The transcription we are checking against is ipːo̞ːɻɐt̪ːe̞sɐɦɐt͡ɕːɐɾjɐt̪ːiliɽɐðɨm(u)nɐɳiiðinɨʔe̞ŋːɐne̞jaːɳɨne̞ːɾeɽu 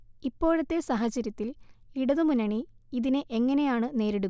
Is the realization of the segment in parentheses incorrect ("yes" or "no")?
no